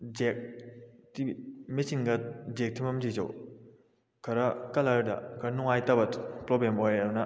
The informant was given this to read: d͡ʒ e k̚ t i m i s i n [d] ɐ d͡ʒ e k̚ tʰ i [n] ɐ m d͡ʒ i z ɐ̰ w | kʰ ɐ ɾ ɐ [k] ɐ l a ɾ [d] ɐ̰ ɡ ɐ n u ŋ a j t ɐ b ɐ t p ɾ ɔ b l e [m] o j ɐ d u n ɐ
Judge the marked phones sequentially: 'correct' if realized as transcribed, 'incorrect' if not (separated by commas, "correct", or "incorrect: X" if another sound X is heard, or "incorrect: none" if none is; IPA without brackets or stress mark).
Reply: incorrect: ɡ, incorrect: m, correct, correct, correct